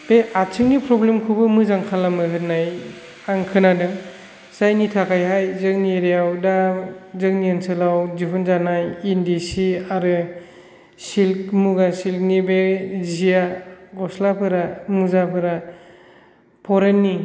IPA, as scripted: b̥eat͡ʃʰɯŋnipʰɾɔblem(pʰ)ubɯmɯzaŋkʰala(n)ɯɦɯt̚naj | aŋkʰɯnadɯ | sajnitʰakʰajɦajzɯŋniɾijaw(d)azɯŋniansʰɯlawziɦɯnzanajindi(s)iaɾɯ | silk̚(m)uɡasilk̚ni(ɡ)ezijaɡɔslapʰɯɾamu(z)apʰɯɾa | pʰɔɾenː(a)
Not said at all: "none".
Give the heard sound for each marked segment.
kʰ, m, d, s, m, b, z, i

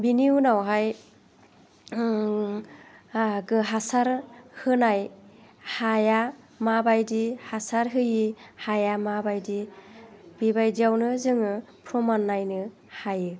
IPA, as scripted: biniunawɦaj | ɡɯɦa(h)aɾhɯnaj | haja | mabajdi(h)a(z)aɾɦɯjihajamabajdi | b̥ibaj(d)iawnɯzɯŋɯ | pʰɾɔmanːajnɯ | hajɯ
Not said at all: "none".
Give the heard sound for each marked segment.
s, h, s, d

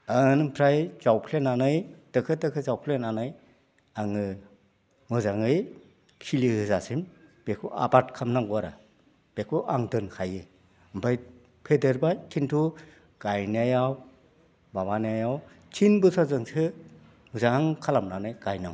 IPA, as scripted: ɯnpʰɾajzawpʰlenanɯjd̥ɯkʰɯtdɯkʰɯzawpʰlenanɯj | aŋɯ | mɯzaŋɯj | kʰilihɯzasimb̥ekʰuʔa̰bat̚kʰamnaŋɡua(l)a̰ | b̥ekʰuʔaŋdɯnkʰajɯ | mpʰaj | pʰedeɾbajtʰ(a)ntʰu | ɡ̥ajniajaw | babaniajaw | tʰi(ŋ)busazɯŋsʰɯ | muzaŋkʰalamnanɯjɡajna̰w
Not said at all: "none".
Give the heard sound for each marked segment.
ɾ, i, n

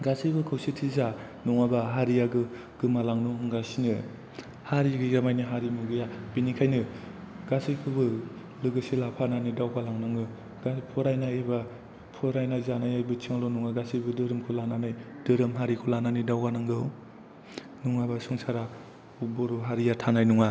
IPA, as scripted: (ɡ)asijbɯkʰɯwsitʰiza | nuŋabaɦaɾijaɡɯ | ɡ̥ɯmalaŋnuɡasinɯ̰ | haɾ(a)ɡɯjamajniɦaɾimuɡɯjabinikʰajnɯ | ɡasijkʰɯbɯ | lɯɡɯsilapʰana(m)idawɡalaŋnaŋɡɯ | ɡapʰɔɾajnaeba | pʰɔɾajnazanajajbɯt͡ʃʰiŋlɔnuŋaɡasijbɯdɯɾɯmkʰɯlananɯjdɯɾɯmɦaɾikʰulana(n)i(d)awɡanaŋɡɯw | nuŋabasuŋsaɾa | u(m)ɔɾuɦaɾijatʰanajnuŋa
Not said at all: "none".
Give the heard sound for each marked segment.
ɡ, i, n, n, d, b

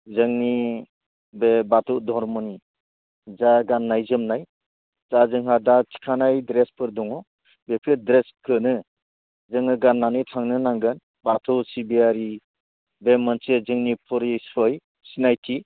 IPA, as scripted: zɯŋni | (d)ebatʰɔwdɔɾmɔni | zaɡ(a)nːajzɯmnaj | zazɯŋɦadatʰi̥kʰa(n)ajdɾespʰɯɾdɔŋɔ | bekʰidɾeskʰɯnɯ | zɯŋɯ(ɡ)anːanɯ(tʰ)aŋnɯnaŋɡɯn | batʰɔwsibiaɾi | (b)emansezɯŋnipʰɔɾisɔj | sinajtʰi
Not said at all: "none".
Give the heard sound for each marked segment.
b, a, n, ɡ, tʰ, b

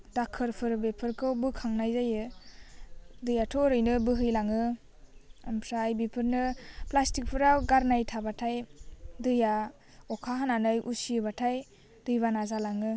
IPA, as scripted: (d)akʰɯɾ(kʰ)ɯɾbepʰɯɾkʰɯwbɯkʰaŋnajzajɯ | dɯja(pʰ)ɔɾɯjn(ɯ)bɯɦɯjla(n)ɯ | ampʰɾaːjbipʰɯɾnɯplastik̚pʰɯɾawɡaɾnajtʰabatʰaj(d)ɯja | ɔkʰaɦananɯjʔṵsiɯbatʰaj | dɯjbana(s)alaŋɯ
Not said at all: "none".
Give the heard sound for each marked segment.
d, pʰ, tʰ, ɯ, ŋ, d, z

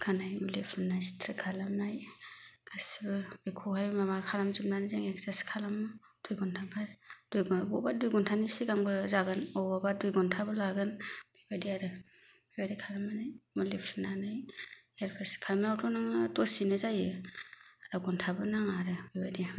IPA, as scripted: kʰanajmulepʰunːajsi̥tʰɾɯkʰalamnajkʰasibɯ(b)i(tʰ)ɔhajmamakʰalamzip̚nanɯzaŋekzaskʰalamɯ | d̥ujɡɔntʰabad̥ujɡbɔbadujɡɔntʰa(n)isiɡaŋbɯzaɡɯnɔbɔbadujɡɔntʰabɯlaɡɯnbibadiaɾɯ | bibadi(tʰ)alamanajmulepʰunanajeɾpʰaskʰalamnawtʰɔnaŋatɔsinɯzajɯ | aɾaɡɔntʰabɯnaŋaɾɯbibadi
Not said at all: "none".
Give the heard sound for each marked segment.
b, kʰ, n, kʰ

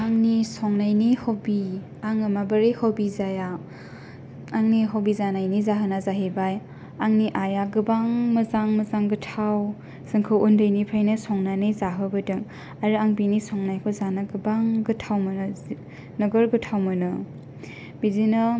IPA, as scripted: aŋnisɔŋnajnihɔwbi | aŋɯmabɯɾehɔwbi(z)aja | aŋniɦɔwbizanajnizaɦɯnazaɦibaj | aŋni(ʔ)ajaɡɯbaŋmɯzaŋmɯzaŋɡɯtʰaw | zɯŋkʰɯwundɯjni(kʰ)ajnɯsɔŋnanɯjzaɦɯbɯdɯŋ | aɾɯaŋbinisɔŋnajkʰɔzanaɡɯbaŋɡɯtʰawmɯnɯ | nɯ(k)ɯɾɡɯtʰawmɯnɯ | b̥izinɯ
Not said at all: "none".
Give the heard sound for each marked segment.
z, ʔ, pʰ, ɡ

